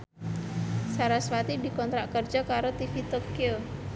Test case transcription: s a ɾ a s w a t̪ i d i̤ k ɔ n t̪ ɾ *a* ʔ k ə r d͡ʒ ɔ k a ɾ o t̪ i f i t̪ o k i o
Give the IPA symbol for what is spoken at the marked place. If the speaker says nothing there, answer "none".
a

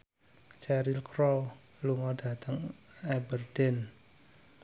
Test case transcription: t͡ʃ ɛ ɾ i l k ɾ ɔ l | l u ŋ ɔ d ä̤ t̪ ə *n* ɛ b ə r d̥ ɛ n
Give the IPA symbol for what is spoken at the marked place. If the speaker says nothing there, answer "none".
ŋ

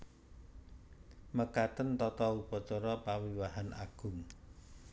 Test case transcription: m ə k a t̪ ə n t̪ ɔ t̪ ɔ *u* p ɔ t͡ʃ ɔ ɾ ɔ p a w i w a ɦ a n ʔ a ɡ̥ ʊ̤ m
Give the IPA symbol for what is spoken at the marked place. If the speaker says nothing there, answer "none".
u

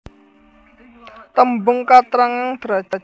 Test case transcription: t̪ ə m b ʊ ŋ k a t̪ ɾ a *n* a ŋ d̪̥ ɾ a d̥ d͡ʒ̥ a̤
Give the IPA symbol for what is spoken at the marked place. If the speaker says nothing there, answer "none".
ŋ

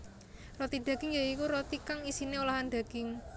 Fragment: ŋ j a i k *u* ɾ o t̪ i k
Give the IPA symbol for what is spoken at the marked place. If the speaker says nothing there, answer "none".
u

